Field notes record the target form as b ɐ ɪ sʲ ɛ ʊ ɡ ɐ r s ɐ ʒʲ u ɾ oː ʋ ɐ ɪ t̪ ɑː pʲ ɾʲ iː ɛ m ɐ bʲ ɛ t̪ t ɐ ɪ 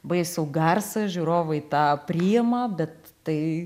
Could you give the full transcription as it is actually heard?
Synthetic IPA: b ɐ ɪ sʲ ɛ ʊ ɡ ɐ r s ɐ ʒʲ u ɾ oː ʋ ɐ ɪ t̪ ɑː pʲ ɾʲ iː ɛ m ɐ bʲ ɛ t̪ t ɐ ɪ